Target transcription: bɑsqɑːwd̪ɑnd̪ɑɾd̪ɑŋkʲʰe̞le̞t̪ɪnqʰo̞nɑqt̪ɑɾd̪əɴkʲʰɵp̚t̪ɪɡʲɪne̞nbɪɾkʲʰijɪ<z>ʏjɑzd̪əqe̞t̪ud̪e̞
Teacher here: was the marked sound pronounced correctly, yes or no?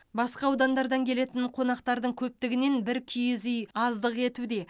yes